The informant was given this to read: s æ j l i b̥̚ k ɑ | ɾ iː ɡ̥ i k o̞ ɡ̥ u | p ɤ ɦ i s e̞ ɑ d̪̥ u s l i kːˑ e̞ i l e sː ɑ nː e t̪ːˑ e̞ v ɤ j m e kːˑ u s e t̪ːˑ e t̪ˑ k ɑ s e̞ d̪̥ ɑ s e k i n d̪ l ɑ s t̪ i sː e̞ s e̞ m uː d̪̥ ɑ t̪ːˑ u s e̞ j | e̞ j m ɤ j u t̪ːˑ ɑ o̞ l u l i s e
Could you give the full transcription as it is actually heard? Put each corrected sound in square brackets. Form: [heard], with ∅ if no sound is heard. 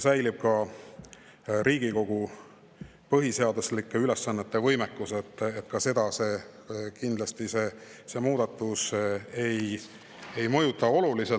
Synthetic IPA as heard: s æ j l i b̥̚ k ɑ | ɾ iː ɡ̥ i k o̞ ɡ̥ u | p ɤ ɦ i s e̞ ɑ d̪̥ u s l i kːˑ e̞ [y] l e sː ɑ nː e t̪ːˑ e̞ v ɤ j m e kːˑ u s e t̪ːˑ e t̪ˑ k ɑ s e̞ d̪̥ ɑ s e k i n d̪ l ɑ s t̪ i [s] e̞ s e̞ m uː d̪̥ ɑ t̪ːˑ u s e̞ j | e̞ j m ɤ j u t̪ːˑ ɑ o̞ l u l i s e